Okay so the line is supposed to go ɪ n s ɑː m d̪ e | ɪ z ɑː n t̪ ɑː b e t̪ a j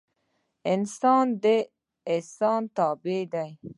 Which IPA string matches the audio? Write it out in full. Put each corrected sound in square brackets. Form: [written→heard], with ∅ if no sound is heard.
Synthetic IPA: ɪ n s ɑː [m→n] d̪ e | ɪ [z→s] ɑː n t̪ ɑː b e [t̪→d̪] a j

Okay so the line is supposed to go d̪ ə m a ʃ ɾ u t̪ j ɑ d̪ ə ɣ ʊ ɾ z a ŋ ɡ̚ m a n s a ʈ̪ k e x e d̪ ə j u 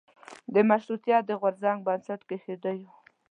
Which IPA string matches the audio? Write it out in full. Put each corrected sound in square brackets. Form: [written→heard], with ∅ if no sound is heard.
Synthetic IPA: d̪ ə m a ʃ ɾ u t̪ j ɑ d̪ ə ɣ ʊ ɾ z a ŋ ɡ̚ [m→b] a n s a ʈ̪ k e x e d̪ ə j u

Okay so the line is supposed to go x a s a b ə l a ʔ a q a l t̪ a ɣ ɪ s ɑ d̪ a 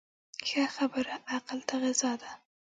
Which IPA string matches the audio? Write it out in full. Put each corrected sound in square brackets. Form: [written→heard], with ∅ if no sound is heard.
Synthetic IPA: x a [s→x] a b ə [l→ɾ] a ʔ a q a l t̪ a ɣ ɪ [s→z] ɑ d̪ a

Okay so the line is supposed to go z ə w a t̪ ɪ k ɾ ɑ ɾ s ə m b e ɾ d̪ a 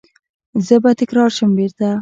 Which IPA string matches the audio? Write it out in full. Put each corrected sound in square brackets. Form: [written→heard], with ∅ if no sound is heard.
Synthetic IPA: z ə [w→b] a t̪ ɪ k ɾ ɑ ɾ [s→ʃ] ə m b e ɾ [d̪→t̪] a

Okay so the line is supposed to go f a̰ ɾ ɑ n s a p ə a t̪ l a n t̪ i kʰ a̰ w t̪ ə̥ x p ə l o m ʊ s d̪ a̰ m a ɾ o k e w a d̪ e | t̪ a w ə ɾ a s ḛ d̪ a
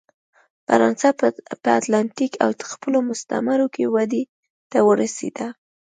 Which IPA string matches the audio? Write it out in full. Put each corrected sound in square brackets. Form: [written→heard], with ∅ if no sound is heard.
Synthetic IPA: f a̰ ɾ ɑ n s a p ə a t̪ l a n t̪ i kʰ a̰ w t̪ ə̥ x p ə l o m ʊ s [d̪→t̪] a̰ m a ɾ o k e w a d̪ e | t̪ a w ə ɾ a s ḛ d̪ a

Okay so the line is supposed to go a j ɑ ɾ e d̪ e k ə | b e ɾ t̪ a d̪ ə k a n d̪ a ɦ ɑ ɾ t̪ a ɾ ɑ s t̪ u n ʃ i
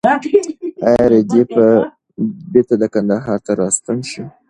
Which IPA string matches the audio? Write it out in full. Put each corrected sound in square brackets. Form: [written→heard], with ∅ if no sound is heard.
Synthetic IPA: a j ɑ ɾ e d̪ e [k→p] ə | b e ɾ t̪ a d̪ ə k a n d̪ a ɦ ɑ ɾ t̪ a ɾ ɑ s t̪ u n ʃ i

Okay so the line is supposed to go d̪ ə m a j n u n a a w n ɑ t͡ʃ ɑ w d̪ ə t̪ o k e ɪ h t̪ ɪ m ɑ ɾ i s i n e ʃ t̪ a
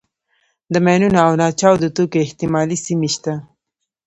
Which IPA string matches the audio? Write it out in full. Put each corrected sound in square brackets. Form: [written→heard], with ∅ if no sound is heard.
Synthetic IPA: d̪ ə m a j n u n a a w n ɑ t͡ʃ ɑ w d̪ ə t̪ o k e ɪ h t̪ ɪ m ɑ [ɾ→l] i s i [n→m] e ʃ t̪ a

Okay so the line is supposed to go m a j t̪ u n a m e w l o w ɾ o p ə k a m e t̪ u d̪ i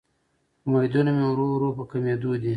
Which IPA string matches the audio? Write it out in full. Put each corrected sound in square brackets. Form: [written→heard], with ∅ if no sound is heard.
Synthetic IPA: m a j [t̪→d̪] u n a m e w [l→ɾ] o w ɾ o p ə k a m e [t̪→d̪] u d̪ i

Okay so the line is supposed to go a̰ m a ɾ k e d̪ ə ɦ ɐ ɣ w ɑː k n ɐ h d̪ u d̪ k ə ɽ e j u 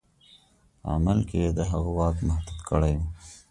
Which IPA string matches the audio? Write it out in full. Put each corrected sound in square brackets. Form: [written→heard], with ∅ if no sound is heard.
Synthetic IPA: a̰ m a [ɾ→l] k e d̪ ə ɦ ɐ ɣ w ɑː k [n→m] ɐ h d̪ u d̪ k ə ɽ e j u

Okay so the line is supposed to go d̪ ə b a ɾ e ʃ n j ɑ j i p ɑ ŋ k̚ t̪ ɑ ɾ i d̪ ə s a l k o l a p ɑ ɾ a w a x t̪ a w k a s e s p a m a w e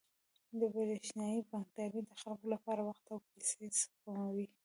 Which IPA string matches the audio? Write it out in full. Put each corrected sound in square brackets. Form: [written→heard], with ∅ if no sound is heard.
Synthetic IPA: d̪ ə b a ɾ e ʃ n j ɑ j i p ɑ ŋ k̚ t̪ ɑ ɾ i d̪ ə [s→x] a l k o l a p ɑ ɾ a w a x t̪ a w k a s e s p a m a w [e→i]

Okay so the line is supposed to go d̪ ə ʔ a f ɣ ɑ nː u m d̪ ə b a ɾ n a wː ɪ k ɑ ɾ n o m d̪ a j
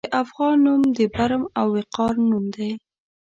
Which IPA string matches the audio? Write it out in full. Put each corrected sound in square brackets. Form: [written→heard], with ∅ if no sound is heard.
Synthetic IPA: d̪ ə ʔ a f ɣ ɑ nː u m d̪ ə b a ɾ [n→m] a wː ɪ [k→q] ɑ ɾ n [o→u] m d̪ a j

